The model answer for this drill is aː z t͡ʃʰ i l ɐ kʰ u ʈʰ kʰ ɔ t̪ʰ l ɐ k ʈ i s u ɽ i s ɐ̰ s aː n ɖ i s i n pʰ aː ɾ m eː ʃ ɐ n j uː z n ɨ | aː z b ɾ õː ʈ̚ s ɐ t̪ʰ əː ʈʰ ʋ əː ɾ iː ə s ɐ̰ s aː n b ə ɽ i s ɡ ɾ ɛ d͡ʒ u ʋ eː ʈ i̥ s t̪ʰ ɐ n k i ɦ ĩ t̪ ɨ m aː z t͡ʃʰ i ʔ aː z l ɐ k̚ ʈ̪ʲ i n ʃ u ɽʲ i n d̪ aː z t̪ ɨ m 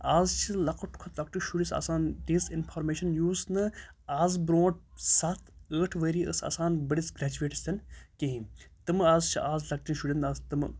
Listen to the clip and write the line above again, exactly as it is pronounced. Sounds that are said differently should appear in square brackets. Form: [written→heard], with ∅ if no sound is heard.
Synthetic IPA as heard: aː z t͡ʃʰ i l ɐ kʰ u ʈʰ kʰ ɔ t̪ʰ l ɐ k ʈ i [s→ʃ] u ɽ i s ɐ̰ s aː n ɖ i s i n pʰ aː ɾ m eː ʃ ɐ n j uː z n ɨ | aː z b ɾ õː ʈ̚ s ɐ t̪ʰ əː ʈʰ ʋ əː ɾ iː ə s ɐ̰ s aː n b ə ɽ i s ɡ ɾ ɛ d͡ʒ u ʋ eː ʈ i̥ s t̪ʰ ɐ n k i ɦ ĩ t̪ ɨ m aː z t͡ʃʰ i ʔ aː z l ɐ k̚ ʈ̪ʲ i n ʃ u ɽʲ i n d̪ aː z t̪ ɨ m